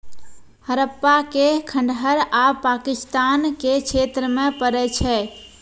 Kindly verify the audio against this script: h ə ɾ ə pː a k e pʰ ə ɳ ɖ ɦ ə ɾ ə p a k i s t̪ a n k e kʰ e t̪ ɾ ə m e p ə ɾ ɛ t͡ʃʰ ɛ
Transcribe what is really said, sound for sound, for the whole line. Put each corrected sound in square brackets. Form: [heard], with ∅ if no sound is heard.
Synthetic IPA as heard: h ə ɾ ə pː a k e [kʰ] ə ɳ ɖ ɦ ə ɾ [a] p a k i s t̪ a n k e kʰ e t̪ ɾ ə m e p ə ɾ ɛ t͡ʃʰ ɛ